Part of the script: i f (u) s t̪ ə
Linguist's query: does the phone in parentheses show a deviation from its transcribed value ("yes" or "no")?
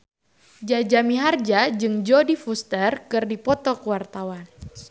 no